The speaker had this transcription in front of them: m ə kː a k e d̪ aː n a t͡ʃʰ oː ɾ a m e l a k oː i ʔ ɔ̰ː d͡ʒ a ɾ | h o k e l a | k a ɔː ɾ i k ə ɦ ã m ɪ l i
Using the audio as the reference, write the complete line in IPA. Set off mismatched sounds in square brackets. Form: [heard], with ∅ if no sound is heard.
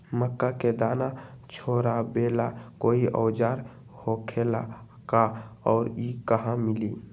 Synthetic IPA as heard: m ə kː a k e d̪ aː n a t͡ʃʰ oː ɾ a [b] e l a k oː i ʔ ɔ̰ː d͡ʒ a ɾ | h o [kʰ] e l a | k a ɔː ɾ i k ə ɦ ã m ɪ l i